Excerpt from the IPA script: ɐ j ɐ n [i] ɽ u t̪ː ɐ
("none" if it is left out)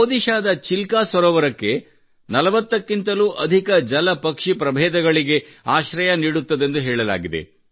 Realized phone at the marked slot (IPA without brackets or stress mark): iː